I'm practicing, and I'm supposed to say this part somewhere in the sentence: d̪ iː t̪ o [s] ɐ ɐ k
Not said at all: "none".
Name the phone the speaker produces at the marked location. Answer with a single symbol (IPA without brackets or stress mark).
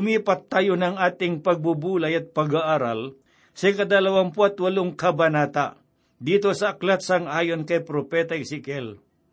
s